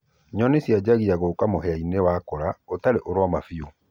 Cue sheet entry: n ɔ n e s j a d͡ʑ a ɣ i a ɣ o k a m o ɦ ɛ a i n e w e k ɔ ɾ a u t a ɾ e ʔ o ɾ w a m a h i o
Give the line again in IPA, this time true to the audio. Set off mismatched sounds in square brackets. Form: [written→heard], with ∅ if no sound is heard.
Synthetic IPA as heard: [n→ɲ] ɔ n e s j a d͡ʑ a ɣ i a ɣ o k a m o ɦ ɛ a i n e w [e→a] k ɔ ɾ a [u→o] t a ɾ e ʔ o ɾ w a m a [h→f] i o